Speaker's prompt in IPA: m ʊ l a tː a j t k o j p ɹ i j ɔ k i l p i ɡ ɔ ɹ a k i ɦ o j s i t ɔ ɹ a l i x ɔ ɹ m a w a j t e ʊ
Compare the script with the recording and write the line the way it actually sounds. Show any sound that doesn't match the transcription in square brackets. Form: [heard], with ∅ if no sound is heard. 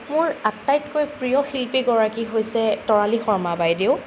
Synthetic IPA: m ʊ [ɹ] a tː a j t k o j p ɹ i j ɔ [x] i l p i ɡ ɔ ɹ a k i ɦ o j s [ɛ] t ɔ ɹ a l i x ɔ ɹ m a [b] a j [d] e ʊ